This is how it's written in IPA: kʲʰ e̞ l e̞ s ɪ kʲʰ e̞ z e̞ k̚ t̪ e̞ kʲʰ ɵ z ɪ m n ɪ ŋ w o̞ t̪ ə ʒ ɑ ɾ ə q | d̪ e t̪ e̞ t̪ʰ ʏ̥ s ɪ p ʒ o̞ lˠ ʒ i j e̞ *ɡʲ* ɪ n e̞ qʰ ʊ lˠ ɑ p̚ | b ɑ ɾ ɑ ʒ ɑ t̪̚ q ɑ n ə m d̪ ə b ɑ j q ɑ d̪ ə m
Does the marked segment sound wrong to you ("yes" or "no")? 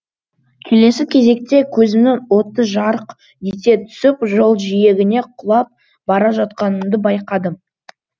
no